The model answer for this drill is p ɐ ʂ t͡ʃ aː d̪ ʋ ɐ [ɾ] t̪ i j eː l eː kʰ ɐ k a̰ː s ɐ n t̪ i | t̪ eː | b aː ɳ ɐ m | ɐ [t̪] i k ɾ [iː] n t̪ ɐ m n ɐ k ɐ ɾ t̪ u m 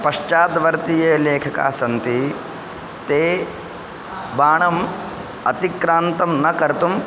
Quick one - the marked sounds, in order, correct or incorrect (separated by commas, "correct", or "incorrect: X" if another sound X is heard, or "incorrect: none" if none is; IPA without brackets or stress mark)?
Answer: correct, correct, incorrect: aː